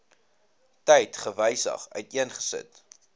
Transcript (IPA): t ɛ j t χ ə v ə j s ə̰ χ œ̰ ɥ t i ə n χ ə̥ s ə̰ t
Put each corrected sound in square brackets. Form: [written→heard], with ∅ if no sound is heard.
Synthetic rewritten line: t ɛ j t χ ə v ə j s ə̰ χ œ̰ ɥ t i ə n χ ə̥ s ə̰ t